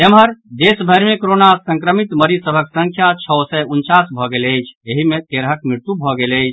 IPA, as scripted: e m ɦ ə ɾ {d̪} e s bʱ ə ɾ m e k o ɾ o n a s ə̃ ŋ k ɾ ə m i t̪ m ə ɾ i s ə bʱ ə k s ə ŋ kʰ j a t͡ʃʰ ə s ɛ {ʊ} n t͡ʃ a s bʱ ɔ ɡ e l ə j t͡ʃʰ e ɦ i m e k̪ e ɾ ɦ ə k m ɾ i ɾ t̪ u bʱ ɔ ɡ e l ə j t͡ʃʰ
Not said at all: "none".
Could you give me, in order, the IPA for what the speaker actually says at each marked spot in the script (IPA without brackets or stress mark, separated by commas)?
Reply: d̪, u